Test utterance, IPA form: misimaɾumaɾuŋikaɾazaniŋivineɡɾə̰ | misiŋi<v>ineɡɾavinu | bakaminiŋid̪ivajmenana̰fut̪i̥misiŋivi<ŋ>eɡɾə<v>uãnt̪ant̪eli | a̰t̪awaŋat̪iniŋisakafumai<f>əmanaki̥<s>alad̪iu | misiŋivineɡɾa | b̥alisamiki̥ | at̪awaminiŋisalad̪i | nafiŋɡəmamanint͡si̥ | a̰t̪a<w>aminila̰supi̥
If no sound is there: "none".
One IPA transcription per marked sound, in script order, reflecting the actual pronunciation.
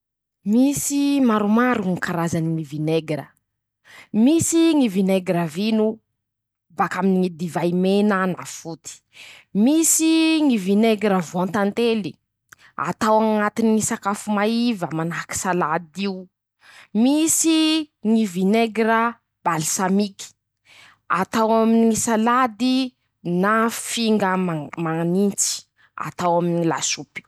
v, n, v, v, s, w

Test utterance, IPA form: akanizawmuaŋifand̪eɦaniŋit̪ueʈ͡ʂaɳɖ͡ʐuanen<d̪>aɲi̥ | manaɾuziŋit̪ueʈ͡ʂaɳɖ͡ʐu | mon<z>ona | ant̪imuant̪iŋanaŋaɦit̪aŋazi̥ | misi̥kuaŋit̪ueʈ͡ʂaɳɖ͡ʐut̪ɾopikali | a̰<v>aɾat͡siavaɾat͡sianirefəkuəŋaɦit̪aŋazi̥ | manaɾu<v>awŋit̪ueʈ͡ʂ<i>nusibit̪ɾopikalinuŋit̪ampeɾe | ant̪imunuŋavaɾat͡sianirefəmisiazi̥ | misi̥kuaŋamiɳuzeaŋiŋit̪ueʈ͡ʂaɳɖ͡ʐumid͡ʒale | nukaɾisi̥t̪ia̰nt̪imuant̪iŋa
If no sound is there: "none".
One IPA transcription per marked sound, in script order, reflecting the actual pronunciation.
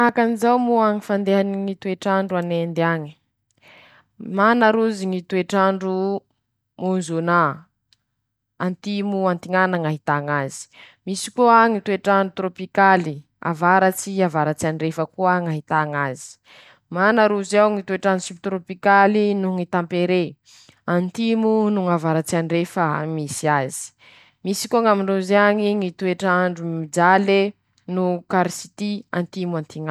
d̪, z, v, z, a

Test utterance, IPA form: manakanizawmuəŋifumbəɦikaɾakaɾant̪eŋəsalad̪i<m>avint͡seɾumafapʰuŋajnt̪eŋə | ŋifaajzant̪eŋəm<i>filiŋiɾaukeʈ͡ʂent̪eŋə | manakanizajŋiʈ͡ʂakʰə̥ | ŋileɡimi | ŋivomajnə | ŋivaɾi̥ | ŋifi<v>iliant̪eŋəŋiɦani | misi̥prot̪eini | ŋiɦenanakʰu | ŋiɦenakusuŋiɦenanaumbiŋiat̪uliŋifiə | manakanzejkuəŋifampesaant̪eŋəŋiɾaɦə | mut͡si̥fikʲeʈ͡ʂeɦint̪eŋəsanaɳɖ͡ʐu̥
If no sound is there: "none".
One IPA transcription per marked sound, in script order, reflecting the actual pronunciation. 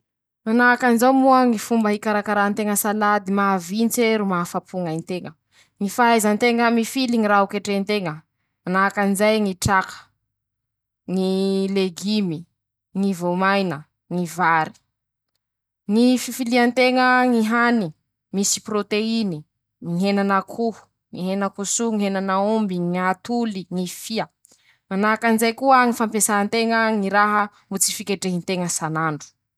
m, i, f

